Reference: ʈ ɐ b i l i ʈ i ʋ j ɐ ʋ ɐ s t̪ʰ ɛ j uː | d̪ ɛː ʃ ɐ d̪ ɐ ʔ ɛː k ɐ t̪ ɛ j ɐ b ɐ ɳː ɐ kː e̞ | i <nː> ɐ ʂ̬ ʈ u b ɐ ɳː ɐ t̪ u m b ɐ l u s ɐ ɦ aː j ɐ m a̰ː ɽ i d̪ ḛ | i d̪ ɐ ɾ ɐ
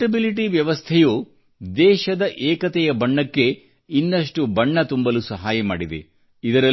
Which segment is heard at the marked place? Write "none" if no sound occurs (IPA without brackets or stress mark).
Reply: nː